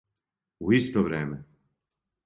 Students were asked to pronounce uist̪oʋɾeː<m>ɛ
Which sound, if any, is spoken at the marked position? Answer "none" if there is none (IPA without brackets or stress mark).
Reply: m